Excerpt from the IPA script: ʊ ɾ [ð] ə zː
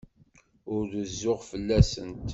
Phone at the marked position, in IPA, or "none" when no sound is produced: ð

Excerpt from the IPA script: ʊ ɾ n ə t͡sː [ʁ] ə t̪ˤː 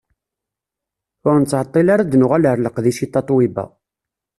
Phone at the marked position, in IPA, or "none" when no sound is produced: ʕ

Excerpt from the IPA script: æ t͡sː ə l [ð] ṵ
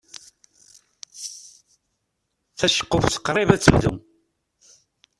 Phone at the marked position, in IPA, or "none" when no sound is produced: ð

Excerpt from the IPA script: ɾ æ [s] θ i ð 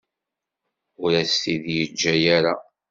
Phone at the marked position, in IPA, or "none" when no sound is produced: s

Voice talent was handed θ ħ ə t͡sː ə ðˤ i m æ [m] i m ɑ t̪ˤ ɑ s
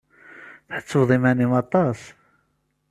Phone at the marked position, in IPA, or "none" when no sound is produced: n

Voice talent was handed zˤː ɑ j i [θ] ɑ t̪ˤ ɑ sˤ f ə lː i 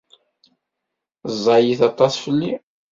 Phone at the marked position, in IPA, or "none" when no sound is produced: θ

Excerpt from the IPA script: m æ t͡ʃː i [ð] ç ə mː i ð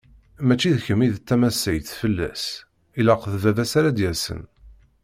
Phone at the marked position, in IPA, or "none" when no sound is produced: ð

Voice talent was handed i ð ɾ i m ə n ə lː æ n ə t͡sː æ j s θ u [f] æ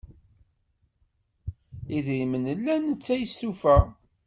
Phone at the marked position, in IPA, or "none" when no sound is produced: f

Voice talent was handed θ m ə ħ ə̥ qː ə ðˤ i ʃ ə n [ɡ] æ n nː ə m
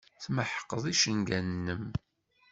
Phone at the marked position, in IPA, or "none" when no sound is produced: ɡ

